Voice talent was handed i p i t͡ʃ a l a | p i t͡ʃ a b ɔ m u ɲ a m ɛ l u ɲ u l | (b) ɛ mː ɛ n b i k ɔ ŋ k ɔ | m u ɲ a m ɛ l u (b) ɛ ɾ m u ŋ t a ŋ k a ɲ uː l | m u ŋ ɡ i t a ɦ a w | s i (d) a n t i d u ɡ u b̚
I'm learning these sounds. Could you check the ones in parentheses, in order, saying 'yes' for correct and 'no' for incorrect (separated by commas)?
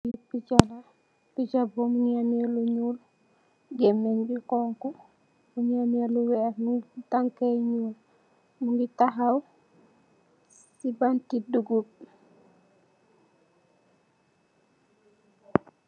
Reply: no, no, no